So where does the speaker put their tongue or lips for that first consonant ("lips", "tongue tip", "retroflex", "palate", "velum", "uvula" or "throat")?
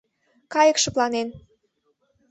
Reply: velum